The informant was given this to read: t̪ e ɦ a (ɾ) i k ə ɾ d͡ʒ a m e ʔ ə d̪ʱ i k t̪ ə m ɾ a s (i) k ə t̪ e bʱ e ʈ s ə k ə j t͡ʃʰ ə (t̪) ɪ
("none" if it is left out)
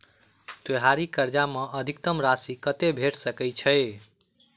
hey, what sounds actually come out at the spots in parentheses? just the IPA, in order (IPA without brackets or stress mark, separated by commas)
ɾ, i, none